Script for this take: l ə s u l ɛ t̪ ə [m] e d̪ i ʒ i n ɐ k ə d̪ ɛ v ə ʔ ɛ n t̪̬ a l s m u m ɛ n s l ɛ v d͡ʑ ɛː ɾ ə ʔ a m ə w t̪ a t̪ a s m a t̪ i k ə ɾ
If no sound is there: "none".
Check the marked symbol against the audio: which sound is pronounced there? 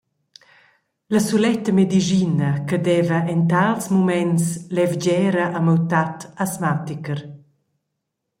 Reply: m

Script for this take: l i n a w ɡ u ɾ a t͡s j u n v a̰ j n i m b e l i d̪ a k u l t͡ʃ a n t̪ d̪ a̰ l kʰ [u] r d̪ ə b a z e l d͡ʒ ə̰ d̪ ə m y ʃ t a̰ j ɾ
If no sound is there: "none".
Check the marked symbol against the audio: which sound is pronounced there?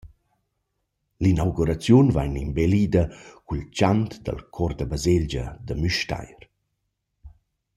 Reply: ɔ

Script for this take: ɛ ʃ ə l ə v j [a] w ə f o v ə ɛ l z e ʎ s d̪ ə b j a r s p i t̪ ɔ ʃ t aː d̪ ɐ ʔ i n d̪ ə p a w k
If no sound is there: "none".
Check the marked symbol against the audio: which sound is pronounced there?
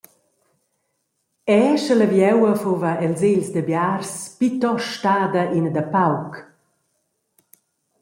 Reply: ɛ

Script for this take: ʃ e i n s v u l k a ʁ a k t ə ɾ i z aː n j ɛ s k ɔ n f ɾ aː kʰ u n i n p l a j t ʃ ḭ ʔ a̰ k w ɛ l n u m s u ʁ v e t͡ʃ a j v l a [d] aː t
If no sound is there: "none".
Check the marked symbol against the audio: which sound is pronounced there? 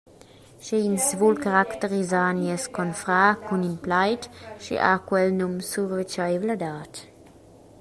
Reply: d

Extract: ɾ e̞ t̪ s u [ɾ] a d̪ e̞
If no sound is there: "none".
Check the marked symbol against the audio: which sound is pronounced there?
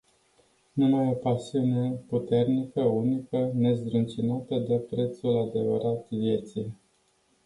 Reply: l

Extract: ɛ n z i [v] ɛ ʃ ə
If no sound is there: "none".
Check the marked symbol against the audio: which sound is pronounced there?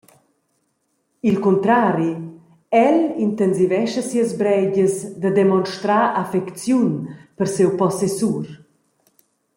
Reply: v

